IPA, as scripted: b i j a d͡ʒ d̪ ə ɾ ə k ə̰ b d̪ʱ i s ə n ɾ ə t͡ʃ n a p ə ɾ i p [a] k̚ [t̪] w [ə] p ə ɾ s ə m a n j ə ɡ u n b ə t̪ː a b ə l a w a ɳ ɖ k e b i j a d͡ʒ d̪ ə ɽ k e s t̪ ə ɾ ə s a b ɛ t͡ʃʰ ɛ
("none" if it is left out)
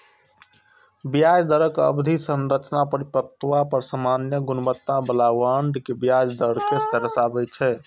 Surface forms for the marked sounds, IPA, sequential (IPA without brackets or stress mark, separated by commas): ə, t̪, a